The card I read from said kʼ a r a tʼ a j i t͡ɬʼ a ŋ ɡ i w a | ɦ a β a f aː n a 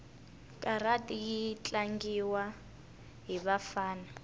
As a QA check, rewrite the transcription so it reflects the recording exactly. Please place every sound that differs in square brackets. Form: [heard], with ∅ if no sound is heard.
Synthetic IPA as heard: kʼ a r a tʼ [i] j i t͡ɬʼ a ŋ ɡ i w a | ɦ [i] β a f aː n a